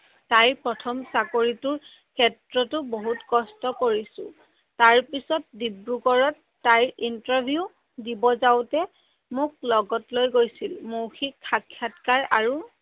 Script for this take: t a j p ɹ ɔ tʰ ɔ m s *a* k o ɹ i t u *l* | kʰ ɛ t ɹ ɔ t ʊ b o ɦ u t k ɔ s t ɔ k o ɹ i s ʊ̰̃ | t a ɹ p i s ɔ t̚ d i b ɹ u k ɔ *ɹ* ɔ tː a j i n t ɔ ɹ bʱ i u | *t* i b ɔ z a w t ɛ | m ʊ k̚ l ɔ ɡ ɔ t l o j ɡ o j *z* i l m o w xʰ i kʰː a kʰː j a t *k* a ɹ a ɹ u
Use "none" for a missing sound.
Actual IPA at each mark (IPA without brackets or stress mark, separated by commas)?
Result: a, ɹ, ɹ, d, s, k